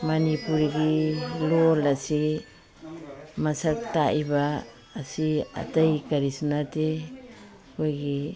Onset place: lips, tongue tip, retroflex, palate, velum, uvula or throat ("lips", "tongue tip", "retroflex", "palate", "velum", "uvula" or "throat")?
lips